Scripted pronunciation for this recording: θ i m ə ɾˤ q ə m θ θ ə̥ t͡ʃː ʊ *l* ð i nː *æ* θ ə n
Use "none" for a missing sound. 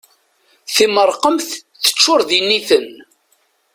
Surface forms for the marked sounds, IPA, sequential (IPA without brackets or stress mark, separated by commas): ɾ, i